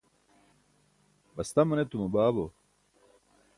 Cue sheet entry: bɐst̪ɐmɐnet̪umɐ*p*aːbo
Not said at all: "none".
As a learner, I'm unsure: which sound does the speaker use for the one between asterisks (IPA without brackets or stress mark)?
b